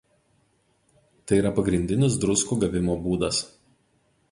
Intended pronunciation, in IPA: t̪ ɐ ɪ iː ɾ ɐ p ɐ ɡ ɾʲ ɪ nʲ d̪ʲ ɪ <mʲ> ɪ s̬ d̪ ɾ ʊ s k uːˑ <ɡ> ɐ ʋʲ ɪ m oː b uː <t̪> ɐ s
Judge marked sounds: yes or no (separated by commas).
no, yes, no